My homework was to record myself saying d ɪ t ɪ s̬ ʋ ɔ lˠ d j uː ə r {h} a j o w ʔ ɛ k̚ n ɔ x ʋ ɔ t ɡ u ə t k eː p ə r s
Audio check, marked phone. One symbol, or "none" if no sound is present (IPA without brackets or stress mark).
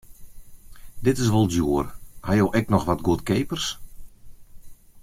h